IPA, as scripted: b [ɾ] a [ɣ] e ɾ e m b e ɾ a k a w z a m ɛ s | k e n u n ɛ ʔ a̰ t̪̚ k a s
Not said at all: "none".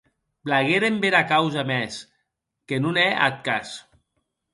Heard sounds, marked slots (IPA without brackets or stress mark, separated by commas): l, ɣ